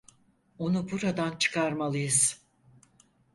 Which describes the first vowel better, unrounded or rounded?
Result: rounded